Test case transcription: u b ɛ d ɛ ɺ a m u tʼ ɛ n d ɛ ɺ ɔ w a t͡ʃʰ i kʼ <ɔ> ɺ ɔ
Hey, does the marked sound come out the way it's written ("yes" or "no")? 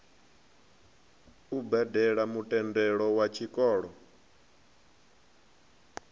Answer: no